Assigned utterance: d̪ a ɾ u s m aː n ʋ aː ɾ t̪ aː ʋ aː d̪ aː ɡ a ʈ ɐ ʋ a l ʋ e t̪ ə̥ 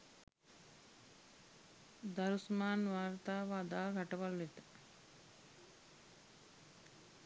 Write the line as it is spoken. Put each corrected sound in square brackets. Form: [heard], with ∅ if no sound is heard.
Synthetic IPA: d̪ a ɾ u s m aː n ʋ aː ɾ t̪ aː ʋ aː d̪ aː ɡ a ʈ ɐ ʋ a l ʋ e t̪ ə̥